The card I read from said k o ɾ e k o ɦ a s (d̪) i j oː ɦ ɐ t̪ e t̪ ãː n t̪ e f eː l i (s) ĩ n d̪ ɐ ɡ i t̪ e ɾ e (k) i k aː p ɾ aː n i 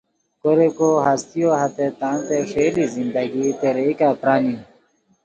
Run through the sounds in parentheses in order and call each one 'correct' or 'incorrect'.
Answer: incorrect, incorrect, incorrect

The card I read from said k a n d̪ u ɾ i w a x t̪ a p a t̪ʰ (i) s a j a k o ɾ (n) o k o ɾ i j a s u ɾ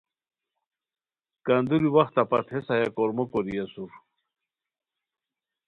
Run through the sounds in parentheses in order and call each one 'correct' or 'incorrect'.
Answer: incorrect, incorrect

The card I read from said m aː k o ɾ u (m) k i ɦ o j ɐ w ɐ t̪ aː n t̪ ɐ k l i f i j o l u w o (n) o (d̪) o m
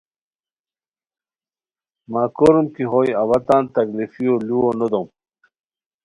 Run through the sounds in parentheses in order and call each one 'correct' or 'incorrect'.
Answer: correct, correct, correct

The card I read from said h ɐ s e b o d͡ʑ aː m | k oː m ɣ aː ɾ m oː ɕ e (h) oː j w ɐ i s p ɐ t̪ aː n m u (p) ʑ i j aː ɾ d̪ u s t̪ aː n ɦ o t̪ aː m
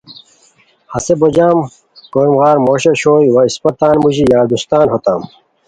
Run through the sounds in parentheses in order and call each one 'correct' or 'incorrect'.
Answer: incorrect, incorrect

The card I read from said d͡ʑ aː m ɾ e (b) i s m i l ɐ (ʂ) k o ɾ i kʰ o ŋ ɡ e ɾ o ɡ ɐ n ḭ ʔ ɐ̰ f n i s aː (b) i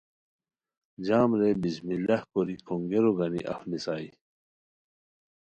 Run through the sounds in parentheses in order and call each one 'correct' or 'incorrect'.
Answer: correct, incorrect, incorrect

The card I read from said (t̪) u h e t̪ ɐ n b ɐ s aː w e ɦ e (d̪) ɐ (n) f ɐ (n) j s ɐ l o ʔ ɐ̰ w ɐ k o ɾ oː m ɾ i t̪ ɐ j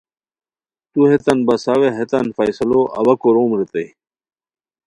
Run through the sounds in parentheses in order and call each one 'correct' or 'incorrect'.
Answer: correct, incorrect, correct, incorrect

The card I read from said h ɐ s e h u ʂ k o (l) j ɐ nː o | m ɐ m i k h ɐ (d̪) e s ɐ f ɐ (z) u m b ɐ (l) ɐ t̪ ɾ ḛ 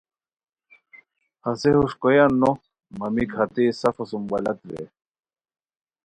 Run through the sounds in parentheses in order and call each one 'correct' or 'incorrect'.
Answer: incorrect, incorrect, incorrect, correct

